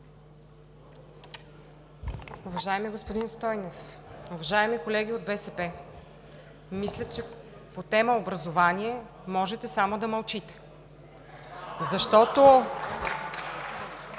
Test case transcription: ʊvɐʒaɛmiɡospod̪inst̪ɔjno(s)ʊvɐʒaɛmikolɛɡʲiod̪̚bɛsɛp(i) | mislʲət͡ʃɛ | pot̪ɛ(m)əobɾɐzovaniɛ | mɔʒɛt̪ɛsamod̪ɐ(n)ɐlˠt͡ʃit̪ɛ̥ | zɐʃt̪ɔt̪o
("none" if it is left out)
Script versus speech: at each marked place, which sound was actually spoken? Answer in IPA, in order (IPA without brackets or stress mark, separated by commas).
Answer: f, ɛ, m, m